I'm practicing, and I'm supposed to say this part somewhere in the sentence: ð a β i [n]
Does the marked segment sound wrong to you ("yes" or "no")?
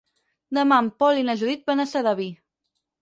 yes